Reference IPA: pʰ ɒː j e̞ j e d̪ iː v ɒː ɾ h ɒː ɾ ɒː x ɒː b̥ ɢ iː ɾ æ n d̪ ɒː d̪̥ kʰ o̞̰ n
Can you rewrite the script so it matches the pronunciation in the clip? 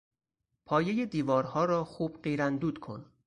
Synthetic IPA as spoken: pʰ ɒː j e̞ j e d̪ iː v ɒː ɾ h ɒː ɾ ɒː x uː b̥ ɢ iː ɾ æ n d̪ uː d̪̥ kʰ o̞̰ n